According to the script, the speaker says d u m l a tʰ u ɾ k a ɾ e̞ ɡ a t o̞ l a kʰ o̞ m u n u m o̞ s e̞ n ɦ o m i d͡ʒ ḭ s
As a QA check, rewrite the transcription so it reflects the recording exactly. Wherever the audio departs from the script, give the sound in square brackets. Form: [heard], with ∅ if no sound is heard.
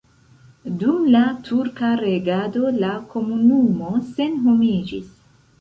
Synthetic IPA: d u m l a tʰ u ɾ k a ɾ e̞ ɡ a [d] o̞ l a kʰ o̞ m u n u m o̞ s e̞ n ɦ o m i d͡ʒ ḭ s